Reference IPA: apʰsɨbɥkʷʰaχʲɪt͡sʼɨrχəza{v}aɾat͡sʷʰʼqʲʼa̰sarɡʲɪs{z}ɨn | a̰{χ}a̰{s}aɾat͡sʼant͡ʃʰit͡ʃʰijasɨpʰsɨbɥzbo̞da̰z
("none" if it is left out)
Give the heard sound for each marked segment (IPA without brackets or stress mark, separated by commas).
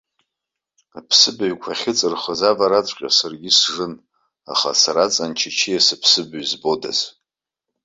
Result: v, ʐ, χ, s